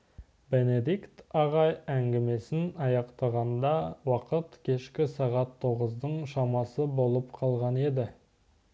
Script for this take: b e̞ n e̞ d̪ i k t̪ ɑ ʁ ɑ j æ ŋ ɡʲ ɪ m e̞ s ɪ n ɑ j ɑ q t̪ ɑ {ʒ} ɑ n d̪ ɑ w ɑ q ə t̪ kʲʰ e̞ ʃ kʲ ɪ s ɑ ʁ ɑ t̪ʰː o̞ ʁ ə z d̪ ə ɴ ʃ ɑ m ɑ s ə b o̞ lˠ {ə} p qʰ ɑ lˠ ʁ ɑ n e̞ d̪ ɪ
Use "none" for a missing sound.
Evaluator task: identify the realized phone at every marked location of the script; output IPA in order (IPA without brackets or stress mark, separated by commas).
ʁ, ə